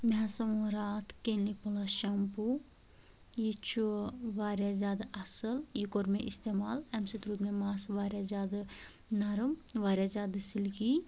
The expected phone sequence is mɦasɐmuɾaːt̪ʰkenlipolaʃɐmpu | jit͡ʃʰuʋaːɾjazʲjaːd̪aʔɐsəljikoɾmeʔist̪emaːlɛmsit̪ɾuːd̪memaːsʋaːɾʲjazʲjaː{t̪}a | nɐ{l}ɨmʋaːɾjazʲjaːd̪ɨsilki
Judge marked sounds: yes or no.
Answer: no, no

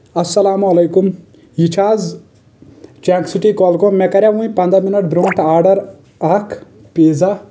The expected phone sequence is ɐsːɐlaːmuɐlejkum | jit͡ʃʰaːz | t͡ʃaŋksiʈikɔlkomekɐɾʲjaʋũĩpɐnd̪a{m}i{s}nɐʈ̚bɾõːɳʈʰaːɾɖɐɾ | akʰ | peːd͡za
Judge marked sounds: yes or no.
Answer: yes, no

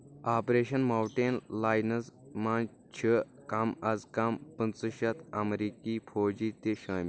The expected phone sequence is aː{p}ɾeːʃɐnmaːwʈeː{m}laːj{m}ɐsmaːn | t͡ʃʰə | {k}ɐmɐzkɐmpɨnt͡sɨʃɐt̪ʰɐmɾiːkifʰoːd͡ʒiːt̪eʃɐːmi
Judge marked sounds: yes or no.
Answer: yes, no, no, yes

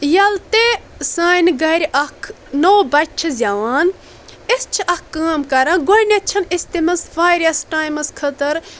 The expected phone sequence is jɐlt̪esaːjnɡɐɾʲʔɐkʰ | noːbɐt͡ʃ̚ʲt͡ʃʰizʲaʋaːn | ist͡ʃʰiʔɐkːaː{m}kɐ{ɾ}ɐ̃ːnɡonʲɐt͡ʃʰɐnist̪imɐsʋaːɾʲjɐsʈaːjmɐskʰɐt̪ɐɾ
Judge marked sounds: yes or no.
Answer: yes, yes

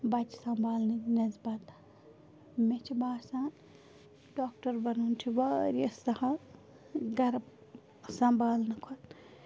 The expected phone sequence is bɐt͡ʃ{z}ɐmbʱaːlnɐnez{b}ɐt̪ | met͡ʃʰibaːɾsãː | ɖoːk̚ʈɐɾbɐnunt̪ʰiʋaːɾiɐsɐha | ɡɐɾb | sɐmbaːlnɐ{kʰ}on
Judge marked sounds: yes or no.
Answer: no, yes, yes

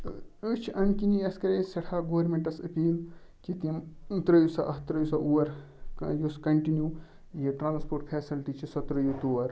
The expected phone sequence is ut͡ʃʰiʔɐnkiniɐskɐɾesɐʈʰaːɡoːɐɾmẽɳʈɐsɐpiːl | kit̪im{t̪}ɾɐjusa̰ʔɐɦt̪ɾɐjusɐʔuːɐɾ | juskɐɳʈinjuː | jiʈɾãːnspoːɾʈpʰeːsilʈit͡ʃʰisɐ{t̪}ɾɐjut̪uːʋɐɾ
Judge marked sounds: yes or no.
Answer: yes, yes

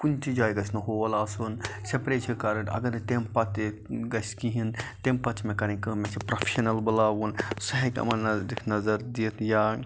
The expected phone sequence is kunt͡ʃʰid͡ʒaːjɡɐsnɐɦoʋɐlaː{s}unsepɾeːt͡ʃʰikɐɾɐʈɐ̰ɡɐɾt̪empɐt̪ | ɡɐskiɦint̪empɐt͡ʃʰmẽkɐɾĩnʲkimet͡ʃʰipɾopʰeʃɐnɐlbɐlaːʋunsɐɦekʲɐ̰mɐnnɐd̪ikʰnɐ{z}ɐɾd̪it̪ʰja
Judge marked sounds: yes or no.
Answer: yes, yes

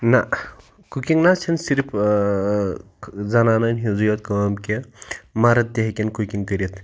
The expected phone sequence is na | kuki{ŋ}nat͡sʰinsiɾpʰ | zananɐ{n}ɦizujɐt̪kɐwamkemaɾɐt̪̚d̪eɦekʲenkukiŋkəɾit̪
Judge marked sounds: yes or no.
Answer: yes, yes

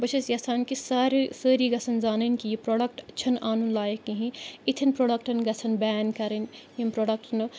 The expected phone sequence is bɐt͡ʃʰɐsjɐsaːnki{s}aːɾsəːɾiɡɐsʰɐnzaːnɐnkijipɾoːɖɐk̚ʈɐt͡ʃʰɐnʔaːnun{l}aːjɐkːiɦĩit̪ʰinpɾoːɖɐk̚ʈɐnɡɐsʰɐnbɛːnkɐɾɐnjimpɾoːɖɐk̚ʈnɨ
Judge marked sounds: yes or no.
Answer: yes, yes

